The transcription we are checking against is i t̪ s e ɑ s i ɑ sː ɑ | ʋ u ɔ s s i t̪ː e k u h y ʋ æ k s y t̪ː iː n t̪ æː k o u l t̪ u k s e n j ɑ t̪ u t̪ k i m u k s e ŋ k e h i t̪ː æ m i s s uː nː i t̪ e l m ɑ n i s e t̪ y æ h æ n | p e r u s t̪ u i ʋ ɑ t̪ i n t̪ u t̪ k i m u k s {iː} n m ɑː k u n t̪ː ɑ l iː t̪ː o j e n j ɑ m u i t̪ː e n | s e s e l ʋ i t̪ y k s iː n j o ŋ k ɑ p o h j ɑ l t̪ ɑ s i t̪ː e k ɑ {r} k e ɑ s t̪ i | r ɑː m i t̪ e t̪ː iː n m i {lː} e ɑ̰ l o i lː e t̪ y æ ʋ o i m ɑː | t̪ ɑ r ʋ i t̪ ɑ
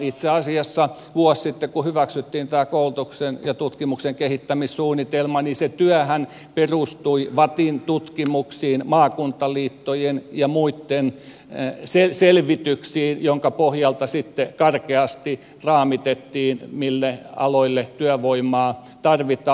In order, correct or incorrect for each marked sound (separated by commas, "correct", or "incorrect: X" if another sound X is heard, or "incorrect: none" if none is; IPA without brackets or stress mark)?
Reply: correct, correct, correct